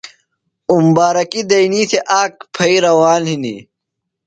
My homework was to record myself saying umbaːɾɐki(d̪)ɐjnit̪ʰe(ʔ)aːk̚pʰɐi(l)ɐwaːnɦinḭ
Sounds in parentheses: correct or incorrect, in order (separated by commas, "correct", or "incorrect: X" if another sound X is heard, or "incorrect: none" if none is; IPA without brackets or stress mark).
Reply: correct, correct, incorrect: ɾ